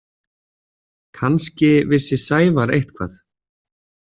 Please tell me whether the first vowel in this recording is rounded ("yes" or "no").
no